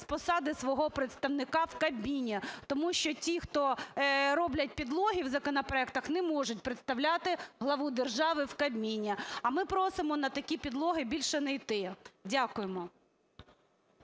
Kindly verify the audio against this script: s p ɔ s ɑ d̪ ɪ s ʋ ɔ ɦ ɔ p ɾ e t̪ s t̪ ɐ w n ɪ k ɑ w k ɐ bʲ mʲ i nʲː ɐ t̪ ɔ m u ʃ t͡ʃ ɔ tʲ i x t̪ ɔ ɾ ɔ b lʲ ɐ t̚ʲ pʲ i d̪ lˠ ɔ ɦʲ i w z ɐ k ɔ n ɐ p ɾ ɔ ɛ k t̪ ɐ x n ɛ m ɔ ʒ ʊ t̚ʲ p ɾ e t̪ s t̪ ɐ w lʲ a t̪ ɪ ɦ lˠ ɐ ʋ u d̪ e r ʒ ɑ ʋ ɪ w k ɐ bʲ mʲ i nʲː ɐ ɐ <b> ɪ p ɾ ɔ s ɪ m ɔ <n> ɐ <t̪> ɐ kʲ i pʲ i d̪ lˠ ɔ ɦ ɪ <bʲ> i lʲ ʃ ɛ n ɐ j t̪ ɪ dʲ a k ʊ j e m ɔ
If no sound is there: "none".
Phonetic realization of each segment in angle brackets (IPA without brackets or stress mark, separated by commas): m, n, t̪, bʲ